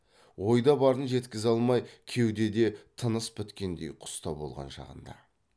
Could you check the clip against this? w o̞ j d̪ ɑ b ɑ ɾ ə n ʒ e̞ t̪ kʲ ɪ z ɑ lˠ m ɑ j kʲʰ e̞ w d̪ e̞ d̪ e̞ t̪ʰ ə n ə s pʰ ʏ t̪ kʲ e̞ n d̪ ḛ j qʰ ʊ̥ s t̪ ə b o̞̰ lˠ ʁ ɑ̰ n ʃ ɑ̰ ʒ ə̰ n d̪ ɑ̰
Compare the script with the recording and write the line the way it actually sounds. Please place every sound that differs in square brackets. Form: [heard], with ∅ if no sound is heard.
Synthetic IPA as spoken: w o̞ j d̪ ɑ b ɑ ɾ ə n ʒ e̞ t̪ kʲ ɪ z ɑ lˠ m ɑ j kʲʰ e̞ w d̪ e̞ d̪ e̞ t̪ʰ ə n ə s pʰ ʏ t̪ kʲ e̞ n d̪ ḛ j qʰ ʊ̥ s t̪ [ɑ] b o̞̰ lˠ ʁ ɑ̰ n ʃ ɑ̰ [ʁ] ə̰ n d̪ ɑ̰